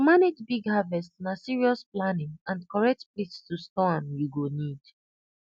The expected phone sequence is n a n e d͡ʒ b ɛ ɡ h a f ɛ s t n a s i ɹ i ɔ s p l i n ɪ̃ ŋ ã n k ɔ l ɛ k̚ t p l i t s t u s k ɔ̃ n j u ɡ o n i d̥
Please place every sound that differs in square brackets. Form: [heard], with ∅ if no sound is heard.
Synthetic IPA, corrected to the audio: [m] a n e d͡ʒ b [i] ɡ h a [v] ɛ s t n a s i ɹ i ɔ s p l [a] n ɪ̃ ŋ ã n k ɔ [ɹ] ɛ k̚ t p l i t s t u s [t] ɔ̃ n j u ɡ o n i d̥